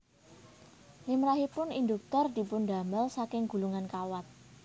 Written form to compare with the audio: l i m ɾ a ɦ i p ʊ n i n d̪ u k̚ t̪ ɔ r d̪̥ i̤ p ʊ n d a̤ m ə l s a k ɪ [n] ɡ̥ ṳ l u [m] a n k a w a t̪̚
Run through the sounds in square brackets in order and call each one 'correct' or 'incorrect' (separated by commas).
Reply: incorrect, incorrect